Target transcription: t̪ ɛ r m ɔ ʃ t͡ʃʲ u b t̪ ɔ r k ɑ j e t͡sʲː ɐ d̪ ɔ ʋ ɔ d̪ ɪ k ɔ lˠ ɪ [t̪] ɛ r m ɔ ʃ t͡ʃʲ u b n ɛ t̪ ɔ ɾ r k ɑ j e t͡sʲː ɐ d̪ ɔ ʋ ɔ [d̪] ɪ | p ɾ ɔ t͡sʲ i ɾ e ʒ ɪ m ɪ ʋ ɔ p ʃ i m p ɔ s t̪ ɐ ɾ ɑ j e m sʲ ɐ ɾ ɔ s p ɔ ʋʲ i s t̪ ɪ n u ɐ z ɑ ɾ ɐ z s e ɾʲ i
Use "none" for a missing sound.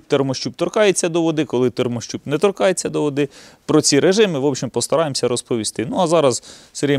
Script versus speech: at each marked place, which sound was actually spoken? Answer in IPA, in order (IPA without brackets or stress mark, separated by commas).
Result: t̪, d̪